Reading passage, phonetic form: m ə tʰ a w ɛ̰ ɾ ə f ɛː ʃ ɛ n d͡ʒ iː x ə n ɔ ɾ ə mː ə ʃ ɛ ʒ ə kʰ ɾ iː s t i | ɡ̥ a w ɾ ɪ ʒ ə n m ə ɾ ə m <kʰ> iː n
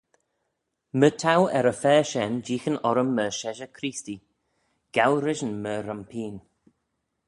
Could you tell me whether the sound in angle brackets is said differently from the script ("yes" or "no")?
yes